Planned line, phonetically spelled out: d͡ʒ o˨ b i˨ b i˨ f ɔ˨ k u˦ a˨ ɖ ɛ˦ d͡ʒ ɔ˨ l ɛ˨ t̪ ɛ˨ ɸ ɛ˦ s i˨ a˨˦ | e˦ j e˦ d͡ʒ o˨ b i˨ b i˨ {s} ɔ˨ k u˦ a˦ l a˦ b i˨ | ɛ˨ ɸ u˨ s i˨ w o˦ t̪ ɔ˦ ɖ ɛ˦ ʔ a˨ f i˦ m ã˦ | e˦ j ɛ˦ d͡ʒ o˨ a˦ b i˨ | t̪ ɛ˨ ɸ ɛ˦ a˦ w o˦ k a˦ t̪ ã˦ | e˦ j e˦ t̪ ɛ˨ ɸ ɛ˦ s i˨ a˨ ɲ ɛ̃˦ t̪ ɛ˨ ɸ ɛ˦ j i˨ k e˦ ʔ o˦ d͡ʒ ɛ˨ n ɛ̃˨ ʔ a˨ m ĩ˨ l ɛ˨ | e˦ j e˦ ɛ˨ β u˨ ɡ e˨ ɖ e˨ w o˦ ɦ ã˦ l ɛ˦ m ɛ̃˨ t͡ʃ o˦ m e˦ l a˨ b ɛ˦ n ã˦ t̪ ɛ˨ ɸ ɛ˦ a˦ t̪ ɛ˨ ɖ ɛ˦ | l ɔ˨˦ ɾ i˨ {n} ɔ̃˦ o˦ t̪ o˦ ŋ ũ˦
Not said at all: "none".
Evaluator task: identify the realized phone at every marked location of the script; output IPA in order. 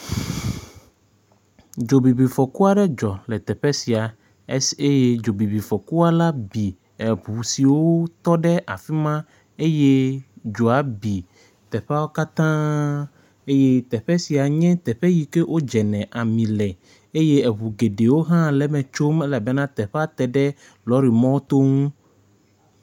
f, m

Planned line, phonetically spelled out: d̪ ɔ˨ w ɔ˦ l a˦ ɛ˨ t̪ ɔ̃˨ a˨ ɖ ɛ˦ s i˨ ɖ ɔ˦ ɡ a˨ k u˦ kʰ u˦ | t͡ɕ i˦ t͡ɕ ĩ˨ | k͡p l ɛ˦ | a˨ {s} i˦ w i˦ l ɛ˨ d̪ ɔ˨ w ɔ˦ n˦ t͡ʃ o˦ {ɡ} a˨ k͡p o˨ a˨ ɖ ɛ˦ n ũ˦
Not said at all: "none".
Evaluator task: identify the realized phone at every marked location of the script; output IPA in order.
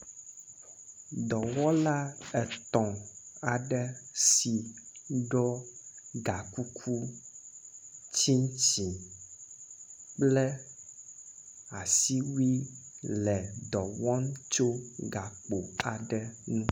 s, ɡ

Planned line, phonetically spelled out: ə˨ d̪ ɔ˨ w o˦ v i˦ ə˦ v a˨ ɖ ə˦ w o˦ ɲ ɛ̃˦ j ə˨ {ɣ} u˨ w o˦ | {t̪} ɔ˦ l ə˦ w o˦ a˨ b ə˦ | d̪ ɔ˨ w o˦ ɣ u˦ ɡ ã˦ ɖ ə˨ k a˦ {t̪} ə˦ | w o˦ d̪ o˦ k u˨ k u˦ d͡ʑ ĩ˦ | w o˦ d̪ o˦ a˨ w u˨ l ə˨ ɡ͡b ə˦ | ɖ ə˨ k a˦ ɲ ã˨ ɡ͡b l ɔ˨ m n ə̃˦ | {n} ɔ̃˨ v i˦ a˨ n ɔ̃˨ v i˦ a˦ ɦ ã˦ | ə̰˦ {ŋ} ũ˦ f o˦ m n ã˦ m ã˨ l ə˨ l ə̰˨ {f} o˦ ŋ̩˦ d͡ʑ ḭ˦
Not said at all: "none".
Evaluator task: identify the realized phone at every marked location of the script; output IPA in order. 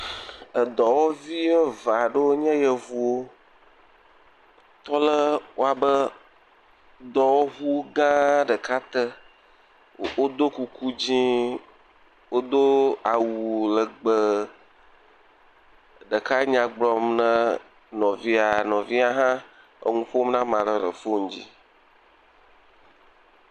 v, t̪, t̪, n, ŋ, f

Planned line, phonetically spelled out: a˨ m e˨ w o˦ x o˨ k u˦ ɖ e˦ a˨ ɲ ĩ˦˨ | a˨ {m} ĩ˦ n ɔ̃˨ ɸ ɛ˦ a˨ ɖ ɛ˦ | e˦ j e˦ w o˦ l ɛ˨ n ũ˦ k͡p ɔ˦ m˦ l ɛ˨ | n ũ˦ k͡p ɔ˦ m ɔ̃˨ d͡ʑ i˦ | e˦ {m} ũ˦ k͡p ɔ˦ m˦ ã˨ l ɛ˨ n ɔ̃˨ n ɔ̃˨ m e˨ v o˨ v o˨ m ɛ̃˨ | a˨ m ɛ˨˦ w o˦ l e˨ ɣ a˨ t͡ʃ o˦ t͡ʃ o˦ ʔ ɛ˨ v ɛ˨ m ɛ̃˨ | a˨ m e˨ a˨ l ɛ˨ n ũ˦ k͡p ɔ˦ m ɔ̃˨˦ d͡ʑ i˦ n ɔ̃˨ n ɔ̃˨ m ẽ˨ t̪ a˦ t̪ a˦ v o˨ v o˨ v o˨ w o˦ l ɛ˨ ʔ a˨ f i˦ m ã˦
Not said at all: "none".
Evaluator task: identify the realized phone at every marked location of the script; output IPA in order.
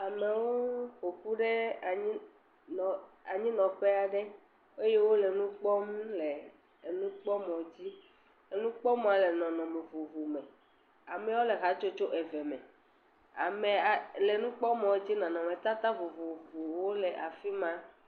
ɲ, n

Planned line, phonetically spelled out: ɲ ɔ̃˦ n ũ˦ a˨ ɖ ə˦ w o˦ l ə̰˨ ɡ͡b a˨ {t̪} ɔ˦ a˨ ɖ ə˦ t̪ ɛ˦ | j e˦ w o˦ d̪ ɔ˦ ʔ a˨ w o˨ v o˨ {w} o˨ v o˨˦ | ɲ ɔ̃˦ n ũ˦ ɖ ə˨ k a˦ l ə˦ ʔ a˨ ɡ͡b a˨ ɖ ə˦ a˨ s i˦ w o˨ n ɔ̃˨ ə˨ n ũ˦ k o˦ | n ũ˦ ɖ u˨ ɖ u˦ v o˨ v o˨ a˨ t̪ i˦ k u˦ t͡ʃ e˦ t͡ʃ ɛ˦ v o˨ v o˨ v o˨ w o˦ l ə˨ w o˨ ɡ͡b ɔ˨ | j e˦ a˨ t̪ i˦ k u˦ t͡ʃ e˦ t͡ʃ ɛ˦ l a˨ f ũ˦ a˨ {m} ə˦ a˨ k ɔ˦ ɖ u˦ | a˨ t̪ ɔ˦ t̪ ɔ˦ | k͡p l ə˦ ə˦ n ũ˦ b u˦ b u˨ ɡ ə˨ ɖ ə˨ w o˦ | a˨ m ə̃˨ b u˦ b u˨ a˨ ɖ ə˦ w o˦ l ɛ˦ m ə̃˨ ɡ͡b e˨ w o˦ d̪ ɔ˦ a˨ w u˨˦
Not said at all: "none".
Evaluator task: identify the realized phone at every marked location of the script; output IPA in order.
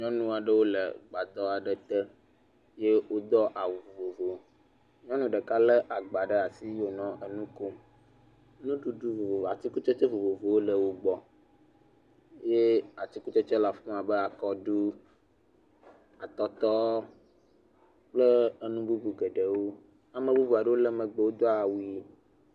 d̪, v, b

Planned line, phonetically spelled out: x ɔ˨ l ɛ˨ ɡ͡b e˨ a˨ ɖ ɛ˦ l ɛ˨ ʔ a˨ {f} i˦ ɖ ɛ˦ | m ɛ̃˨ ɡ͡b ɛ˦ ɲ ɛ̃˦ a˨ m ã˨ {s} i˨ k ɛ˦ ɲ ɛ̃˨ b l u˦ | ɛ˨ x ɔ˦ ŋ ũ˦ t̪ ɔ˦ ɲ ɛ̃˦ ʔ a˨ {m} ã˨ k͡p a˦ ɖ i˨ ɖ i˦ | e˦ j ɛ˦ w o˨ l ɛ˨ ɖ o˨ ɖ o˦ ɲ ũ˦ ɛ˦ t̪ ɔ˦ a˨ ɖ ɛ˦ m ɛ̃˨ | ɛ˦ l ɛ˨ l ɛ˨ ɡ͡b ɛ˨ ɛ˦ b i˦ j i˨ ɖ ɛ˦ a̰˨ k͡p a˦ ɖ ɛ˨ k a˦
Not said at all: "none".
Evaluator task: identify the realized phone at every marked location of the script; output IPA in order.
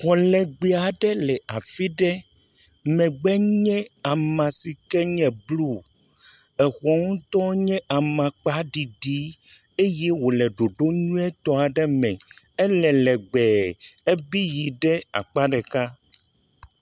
f, s, m

